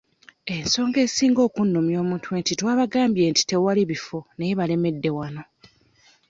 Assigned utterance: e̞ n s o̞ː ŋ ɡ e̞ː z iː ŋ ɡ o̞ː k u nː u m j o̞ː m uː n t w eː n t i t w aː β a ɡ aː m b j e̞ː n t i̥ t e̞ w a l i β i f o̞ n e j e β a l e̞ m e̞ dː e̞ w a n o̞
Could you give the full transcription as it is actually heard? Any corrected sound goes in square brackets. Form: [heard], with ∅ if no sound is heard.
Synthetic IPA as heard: e̞ n s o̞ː ŋ ɡ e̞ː [s] iː ŋ ɡ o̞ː k u nː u m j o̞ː m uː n t w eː n t i t w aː β a ɡ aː m b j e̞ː n t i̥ t e̞ w a l i β i f o̞ n e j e β a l e̞ m e̞ dː e̞ w a n o̞

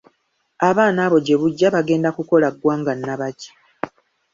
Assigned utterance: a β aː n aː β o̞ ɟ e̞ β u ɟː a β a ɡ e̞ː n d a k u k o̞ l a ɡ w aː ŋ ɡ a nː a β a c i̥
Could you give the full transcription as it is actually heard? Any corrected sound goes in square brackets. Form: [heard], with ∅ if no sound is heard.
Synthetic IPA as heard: a β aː n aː β o̞ ɟ e̞ β u ɟː a β a ɡ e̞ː n d a k u k o̞ l a ɡ w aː ŋ ɡ a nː a β a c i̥

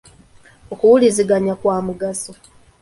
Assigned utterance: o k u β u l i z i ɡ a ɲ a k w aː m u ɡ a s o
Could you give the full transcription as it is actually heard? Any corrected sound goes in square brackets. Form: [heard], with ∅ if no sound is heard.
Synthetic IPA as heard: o k u [w] u l i z i ɡ a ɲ a k w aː m u ɡ a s o

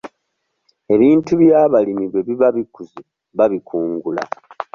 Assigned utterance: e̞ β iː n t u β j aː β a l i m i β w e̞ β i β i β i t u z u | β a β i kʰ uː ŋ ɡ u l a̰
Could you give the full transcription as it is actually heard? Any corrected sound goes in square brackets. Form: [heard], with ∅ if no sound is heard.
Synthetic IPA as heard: e̞ β iː n t u β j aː β a l i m i β w e̞ β i β [a] β i [k] u z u | β a β i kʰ uː ŋ ɡ u l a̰

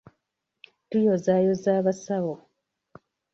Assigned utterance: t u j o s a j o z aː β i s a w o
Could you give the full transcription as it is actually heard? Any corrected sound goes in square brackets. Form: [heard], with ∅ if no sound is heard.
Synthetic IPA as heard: t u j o [z] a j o z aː β [a] s a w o

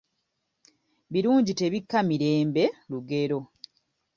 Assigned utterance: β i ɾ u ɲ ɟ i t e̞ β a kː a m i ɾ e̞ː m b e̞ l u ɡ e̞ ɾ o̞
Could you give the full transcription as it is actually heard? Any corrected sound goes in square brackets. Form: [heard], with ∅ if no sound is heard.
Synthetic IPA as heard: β i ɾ [uː] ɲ ɟ i t e̞ β [i] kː a m i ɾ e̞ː m b e̞ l u ɡ e̞ ɾ o̞

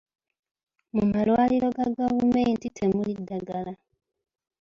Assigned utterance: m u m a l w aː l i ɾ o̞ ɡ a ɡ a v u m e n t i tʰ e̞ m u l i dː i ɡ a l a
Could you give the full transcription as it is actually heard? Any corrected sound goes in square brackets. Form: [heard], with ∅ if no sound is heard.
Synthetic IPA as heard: m u m a l w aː l i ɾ o̞ ɡ a ɡ a v u m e n t i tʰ e̞ m u l i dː [a] ɡ a l a

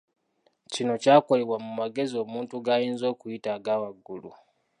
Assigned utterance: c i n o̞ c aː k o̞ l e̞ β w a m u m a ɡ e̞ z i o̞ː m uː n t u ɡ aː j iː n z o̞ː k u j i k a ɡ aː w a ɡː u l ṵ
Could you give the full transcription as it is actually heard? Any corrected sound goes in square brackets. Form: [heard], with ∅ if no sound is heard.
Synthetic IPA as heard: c i n o̞ c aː k o̞ l e̞ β w a m u m a ɡ e̞ z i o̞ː m uː n t u ɡ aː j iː n z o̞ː k u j i [t] a ɡ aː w a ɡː u l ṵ

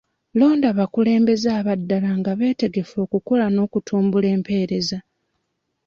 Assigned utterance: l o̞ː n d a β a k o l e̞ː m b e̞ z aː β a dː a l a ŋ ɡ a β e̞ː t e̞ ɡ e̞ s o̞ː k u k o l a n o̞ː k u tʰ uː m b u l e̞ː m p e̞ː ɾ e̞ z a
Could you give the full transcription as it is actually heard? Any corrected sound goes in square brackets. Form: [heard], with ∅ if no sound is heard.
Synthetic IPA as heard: l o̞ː n d a β a k [u] l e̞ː m b e̞ z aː β a dː a l a ŋ ɡ a β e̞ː t e̞ ɡ e̞ [f] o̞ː k u k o l a n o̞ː k u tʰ uː m b u l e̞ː m p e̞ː ɾ e̞ z a

